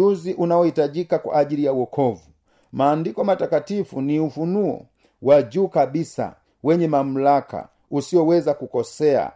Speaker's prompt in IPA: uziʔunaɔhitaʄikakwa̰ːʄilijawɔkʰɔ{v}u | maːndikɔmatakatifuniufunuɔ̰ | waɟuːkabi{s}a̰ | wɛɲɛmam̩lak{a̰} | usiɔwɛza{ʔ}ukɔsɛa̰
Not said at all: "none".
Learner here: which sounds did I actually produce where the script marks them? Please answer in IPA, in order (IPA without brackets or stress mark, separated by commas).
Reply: v, s, a̰, k